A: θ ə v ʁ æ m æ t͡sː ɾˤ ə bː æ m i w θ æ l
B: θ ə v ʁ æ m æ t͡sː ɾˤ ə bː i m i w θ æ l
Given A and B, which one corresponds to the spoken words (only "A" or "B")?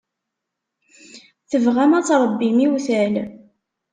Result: B